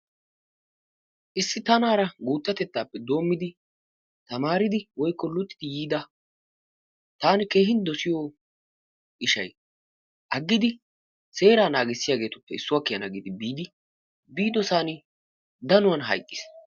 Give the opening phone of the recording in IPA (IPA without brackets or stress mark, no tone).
ʔ